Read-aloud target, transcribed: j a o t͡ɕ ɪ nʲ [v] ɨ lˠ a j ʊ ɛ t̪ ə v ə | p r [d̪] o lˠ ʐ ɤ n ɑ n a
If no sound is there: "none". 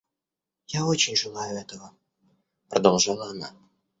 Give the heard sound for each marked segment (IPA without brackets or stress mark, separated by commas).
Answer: ʐ, d̪